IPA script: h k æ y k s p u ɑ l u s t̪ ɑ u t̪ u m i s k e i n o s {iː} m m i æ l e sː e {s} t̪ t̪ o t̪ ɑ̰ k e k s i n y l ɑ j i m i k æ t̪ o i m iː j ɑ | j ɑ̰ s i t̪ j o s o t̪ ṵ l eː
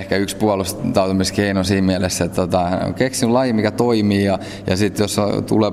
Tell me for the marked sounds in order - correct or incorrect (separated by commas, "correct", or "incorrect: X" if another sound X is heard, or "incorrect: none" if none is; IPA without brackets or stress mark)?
correct, incorrect: none